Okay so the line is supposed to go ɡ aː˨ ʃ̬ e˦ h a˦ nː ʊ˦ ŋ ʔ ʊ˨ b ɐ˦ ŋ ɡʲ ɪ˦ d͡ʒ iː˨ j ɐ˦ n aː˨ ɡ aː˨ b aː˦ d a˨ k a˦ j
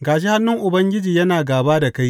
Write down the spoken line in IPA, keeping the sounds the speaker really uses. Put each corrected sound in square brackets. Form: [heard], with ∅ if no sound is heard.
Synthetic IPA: ɡ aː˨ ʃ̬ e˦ h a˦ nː ʊ˦ ŋ ʔ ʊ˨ b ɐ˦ ŋ ɡʲ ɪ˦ d͡ʒ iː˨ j ɐ˦ n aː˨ ɡ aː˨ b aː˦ d a˨ k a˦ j

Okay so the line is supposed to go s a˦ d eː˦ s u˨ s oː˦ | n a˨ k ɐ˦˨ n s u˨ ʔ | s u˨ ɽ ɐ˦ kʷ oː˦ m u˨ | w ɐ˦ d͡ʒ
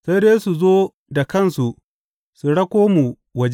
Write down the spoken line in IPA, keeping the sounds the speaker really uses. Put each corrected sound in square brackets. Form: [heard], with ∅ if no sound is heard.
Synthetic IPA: s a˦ d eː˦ s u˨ [z] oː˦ | [d] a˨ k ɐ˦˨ n s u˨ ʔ | s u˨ ɽ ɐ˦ kʷ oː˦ m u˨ | w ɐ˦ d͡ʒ

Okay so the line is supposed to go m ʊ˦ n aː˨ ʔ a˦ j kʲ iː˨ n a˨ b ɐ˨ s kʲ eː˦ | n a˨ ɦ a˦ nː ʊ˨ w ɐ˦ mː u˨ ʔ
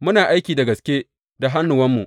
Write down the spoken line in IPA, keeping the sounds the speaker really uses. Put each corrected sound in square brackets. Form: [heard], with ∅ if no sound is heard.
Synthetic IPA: m ʊ˦ n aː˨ ʔ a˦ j kʲ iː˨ [d] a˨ [ɡ] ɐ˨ s kʲ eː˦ | [d] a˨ ɦ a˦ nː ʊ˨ w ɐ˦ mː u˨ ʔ

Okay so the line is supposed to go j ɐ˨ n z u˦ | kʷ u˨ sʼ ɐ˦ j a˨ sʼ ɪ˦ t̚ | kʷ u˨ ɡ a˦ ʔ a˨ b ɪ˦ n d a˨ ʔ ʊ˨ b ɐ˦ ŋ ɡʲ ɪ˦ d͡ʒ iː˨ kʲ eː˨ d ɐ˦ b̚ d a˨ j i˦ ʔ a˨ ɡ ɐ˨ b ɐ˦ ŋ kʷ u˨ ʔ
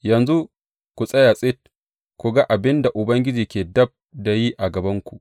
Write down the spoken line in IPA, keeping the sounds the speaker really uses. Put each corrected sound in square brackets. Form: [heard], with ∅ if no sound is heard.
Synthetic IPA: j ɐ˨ n z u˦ | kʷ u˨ sʼ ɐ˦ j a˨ sʼ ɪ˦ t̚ | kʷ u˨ ɡ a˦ ʔ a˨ b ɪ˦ n d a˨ ʔ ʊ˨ b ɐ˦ ŋ ɡʲ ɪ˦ d͡ʒ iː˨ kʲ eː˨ d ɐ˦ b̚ d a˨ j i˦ ʔ a˨ ɡ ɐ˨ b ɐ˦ ŋ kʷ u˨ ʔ

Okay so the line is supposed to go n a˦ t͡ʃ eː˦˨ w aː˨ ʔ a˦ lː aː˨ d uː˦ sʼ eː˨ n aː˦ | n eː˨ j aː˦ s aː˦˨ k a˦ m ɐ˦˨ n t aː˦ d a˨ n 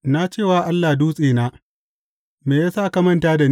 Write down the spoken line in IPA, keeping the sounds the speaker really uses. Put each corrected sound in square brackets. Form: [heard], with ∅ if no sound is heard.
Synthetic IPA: n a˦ t͡ʃ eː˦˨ w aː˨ ʔ a˦ lː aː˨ d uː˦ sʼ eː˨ n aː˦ | [m] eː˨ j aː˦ s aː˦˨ k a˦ m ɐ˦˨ n t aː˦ d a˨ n

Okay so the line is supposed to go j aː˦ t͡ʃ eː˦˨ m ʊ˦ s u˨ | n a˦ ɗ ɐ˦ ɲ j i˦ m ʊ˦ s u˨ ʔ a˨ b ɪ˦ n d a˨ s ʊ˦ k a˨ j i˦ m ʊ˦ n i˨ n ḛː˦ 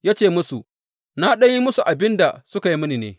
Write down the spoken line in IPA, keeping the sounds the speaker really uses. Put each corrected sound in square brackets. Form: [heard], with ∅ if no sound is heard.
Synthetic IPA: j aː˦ t͡ʃ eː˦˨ m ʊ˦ s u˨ | n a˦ ɗ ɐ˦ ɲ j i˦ m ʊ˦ s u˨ ʔ a˨ b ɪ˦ n d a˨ s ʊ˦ k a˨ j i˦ m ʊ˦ n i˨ n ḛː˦

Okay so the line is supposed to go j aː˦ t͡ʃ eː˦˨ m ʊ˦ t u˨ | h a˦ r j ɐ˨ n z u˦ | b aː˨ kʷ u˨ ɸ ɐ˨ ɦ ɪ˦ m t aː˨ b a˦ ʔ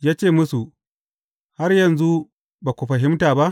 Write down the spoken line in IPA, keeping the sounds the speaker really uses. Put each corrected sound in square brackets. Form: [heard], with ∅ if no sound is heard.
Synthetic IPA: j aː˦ t͡ʃ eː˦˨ m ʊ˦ [s] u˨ | h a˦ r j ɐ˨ n z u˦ | b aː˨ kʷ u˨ ɸ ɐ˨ ɦ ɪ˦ m t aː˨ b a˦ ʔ

